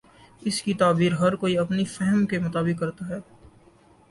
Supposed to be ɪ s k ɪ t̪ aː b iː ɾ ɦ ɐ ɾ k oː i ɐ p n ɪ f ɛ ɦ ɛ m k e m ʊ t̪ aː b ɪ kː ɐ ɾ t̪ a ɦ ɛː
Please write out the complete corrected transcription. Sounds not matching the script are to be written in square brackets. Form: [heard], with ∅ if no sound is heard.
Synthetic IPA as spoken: ɪ s k [i] t̪ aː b iː ɾ ɦ ɐ ɾ k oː i ɐ p n [i] f ɛ ɦ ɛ m k e m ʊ t̪ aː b ɪ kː ɐ ɾ t̪ a ɦ ɛː